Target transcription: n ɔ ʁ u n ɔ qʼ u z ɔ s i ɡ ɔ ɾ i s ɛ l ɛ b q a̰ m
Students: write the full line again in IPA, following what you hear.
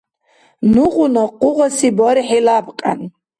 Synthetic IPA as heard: n u ʁ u n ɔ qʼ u ʁ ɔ s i b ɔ ɾ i ħ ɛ l a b qʼ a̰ n